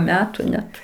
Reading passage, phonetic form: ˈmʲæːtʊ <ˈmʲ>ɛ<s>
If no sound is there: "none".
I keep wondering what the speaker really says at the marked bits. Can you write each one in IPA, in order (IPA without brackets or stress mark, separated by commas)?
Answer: nʲ, t